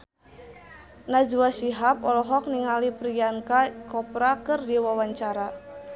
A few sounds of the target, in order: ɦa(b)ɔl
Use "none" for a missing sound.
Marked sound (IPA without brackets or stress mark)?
p